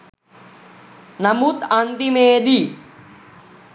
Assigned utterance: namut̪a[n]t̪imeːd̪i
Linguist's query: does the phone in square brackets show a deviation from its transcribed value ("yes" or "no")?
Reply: no